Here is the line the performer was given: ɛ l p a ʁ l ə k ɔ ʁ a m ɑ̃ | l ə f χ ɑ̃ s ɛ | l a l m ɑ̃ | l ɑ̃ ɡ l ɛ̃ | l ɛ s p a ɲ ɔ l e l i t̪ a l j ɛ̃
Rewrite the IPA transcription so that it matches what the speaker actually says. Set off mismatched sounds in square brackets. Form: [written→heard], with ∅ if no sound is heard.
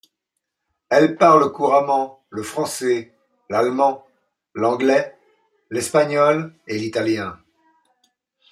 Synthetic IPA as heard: ɛ l p a ʁ l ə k [ɔ→u] ʁ a m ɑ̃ | l ə f χ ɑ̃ s ɛ | l a l m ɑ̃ | l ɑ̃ ɡ l [ɛ̃→ɛ] | l ɛ s p a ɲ ɔ l e l i t̪ a l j ɛ̃

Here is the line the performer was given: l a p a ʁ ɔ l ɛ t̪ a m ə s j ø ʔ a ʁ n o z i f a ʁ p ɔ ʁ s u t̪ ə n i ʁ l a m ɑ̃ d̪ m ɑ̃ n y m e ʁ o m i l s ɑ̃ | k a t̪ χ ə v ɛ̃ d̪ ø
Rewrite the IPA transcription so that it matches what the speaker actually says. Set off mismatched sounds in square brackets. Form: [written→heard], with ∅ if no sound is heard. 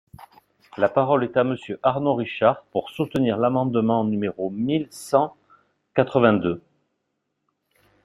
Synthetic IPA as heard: l a p a ʁ ɔ l ɛ t̪ a m ə s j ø ʔ a ʁ n o [z→ʁ] i [f→ʃ] a ʁ p [ɔ→u] ʁ s u t̪ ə n i ʁ l a m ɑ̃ d̪ m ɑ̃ n y m e ʁ o m i l s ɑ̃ | k a t̪ χ ə v ɛ̃ d̪ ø

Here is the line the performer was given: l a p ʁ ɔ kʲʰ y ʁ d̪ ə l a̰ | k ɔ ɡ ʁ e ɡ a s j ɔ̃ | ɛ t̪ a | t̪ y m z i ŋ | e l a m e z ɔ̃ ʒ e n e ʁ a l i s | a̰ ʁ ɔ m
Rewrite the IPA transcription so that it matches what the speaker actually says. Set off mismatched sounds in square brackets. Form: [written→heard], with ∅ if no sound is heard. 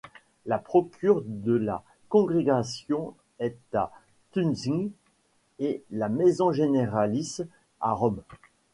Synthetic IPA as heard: l a p [ʁ→χ] ɔ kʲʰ y ʁ d̪ ə l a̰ | k [ɔ→ɔ̃] ɡ ʁ e ɡ a s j ɔ̃ | ɛ t̪ a | t̪ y [m→n] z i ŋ | e l a m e z ɔ̃ ʒ e n e ʁ a l i s | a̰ ʁ ɔ m

